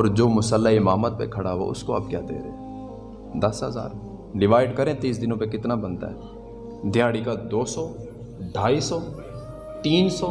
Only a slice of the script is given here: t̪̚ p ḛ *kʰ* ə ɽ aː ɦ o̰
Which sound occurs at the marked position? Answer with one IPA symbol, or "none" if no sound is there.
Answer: kʰ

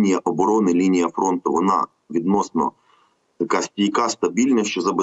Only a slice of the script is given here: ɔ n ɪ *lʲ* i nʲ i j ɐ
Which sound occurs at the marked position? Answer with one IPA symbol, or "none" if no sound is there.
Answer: lʲ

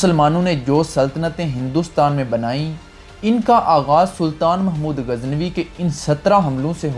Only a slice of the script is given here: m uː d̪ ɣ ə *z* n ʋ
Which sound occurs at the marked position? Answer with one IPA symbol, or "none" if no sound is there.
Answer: z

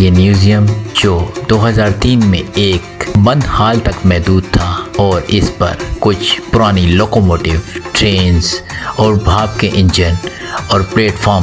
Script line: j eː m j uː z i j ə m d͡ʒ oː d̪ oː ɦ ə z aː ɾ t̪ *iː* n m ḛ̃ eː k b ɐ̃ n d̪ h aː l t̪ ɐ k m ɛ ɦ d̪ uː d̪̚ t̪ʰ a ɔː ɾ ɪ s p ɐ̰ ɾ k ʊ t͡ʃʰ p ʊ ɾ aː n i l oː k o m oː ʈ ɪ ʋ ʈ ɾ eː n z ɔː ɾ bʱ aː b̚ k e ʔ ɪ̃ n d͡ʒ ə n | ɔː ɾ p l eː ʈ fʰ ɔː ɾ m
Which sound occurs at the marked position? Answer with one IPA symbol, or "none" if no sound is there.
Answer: iː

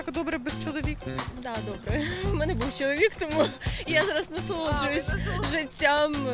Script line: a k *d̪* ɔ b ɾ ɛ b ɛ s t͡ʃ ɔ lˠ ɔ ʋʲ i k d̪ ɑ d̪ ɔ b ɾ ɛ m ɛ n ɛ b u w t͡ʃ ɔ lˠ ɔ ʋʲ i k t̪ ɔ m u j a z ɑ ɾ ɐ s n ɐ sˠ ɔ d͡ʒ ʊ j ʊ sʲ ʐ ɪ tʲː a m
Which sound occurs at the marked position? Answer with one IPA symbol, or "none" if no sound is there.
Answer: d̪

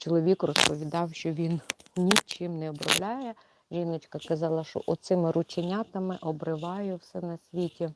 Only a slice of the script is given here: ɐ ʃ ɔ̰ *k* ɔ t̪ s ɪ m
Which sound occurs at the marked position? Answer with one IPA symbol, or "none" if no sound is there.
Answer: ʔ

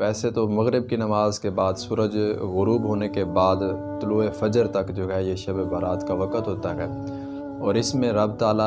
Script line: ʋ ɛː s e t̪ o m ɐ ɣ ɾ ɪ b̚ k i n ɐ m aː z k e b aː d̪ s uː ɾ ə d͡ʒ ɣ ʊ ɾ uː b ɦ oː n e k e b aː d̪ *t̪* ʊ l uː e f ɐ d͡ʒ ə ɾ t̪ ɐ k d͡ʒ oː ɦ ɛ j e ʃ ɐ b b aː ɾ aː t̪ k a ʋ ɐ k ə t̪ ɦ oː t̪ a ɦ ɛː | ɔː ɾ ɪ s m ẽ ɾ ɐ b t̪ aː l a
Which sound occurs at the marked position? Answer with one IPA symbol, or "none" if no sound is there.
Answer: t̪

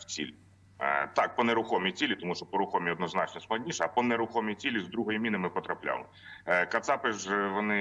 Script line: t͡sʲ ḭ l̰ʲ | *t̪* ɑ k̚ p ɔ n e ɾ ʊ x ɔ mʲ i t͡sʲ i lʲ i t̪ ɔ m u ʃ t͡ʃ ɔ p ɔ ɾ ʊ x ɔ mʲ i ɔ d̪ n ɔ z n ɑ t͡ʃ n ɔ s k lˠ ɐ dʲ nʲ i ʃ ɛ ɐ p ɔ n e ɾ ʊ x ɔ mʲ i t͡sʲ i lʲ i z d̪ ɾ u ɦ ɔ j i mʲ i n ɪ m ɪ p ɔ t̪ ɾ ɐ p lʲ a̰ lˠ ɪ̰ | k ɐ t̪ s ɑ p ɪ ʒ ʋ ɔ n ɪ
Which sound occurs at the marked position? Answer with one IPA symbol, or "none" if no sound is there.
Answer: t̪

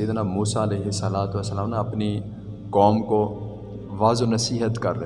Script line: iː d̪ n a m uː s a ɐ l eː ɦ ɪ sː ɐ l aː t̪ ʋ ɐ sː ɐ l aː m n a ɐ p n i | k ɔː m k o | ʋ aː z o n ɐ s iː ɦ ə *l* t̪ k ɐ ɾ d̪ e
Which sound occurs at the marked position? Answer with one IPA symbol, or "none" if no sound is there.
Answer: none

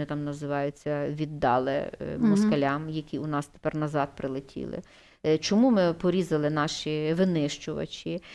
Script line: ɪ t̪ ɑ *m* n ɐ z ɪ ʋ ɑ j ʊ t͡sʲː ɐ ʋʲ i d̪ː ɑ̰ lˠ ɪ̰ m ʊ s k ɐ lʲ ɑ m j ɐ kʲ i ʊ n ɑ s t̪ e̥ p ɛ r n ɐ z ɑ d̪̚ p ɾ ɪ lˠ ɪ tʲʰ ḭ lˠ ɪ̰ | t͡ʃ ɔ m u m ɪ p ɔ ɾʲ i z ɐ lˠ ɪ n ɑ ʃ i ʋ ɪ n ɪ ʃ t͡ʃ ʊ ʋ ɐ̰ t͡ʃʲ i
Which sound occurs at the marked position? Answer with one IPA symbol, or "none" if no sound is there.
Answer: m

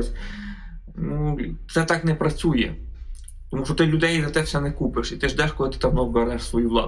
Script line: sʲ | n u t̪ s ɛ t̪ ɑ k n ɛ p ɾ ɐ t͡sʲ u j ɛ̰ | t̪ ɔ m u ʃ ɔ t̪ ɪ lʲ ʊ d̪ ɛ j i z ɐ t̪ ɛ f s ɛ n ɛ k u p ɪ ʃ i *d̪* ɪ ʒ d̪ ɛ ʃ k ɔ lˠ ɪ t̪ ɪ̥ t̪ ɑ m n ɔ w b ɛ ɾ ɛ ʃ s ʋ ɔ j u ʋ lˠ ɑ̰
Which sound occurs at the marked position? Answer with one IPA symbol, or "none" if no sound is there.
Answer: t̪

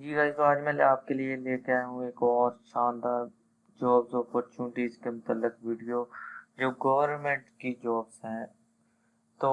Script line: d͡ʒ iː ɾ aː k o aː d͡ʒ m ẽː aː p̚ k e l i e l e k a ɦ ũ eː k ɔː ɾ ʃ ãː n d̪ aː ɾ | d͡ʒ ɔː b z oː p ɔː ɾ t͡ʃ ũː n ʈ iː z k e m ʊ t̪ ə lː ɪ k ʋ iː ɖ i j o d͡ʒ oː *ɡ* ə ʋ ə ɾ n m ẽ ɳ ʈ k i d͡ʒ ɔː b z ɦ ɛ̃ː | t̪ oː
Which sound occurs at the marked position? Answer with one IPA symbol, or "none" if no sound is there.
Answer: ɡ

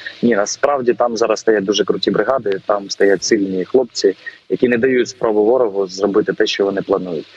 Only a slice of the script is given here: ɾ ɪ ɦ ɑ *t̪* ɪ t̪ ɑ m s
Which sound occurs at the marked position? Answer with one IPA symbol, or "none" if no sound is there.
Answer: d̪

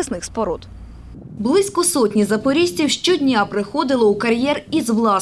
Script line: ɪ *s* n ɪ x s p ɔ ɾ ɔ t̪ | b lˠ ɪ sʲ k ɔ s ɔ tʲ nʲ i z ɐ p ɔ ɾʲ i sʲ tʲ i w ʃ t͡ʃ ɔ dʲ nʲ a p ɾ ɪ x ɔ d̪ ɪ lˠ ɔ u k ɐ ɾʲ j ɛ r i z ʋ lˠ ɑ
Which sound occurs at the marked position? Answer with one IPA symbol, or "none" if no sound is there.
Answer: s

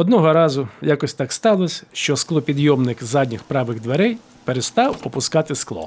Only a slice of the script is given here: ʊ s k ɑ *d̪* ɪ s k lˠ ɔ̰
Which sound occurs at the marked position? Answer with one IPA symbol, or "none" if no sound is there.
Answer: t̪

